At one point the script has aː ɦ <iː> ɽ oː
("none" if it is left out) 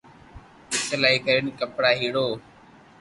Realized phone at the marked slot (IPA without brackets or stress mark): iː